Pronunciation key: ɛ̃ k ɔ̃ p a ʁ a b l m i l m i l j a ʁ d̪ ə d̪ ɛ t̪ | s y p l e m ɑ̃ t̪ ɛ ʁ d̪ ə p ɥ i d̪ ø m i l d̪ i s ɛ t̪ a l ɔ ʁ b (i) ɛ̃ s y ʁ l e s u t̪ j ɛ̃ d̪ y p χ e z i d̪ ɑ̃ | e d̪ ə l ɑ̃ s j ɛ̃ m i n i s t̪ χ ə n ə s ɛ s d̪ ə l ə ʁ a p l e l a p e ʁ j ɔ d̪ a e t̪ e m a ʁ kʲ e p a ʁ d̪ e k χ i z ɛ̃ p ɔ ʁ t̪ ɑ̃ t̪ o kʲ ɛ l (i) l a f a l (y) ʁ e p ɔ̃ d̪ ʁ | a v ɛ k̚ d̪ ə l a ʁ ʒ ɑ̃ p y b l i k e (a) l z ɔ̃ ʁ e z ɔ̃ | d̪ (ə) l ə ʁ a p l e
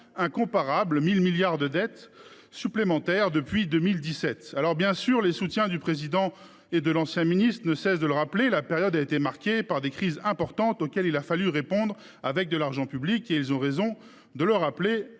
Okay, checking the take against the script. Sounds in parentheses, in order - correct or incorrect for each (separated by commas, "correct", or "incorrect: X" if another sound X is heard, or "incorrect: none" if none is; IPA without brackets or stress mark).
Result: incorrect: j, correct, correct, incorrect: i, correct